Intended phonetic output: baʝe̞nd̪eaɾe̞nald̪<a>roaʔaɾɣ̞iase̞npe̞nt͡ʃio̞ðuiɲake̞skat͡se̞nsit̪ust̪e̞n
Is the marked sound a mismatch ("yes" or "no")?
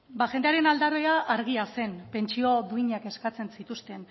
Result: no